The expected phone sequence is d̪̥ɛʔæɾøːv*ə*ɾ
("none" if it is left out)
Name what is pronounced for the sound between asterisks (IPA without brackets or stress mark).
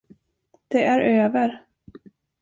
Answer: ə